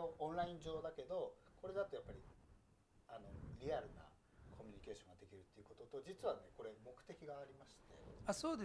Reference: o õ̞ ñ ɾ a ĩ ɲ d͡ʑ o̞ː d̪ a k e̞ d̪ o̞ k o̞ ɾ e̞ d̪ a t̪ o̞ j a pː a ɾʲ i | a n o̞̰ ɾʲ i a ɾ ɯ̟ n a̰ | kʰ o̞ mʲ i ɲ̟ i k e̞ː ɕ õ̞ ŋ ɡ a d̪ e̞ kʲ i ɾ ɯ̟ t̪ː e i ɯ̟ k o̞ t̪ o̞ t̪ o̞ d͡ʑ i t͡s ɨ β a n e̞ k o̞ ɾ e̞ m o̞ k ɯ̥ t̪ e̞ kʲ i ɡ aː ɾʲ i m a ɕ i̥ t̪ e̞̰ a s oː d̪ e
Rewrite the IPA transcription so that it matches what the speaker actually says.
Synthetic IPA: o õ̞ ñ ɾ a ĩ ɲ d͡ʑ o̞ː d̪ a k e̞ d̪ o̞ k o̞ ɾ e̞ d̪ a t̪ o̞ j a pː a ɾʲ i | a n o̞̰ ɾʲ i a ɾ ɯ̟ n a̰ | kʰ o̞ mʲ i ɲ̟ i k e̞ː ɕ õ̞ ŋ ɡ a d̪ e̞ kʲ i ɾ ɯ̟ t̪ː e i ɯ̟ k o̞ t̪ o̞ t̪ o̞ d͡ʑ i t͡s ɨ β a n e̞ k o̞ ɾ e̞ m o̞ k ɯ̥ t̪ e̞ kʲ i ɡ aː ɾʲ i m a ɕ i̥ t̪ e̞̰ a s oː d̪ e